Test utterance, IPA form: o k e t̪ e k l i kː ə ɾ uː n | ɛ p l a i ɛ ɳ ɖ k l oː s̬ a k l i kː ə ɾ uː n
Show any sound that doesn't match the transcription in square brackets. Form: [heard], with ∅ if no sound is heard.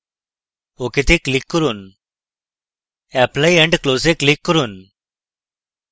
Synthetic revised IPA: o k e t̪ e k l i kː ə ɾ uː n | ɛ p l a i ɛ ɳ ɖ k l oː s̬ [e] k l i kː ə ɾ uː n